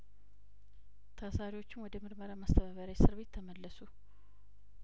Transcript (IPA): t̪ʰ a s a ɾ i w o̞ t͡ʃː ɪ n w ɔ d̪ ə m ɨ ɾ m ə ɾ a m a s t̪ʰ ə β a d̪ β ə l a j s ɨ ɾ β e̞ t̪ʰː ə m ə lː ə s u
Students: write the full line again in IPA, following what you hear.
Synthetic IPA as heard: t̪ʰ a s a ɾ i w o̞ t͡ʃː ɪ n w ɔ d̪ ə m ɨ ɾ m ə ɾ a m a s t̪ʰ ə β a β ə ɾ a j s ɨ ɾ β e̞ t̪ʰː ə m ə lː ə s u